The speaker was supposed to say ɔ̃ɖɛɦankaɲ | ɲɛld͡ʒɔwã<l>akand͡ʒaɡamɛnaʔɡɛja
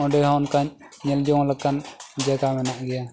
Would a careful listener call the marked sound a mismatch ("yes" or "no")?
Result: no